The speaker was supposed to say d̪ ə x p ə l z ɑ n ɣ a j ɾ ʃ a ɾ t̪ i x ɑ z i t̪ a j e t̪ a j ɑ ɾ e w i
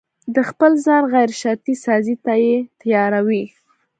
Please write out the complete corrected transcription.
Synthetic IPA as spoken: d̪ ə x p ə l z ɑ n ɣ a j ɾ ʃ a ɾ t̪ i s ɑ z i t̪ a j e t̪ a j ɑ ɾ a w i